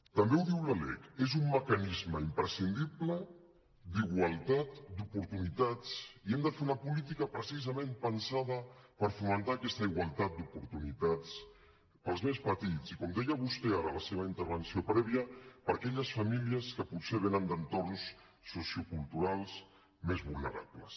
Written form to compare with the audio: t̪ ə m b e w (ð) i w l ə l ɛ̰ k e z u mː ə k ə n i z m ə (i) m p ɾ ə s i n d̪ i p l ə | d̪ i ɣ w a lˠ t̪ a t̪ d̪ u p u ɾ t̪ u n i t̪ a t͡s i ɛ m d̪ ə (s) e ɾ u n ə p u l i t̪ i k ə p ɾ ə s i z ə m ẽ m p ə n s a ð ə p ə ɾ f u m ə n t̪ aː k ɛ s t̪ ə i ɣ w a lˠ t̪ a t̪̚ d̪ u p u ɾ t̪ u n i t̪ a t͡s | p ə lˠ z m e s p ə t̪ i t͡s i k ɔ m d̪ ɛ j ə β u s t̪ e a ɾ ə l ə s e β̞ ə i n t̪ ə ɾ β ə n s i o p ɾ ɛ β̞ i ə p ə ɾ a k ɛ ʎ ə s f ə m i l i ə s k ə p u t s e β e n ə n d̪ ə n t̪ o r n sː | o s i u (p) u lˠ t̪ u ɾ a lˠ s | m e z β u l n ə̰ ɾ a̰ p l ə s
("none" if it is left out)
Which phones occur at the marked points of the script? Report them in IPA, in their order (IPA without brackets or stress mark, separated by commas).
ð, i, f, k